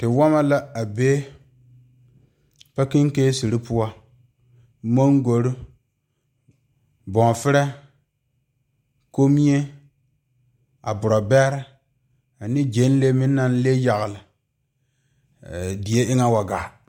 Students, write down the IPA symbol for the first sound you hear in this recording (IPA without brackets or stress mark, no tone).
t